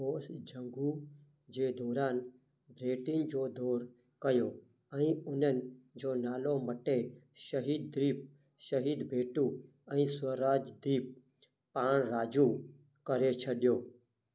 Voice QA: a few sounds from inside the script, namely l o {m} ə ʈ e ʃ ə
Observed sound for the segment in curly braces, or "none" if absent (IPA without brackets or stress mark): m